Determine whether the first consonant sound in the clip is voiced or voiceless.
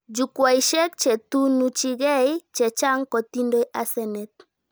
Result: voiced